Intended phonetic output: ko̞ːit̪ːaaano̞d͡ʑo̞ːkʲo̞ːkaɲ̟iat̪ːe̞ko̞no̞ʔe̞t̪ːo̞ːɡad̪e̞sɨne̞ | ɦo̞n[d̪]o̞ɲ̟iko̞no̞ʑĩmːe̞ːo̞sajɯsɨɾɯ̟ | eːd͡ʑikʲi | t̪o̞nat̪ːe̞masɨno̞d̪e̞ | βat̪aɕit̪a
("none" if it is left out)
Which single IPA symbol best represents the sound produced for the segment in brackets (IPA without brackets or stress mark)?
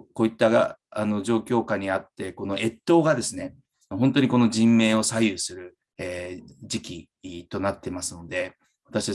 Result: t̪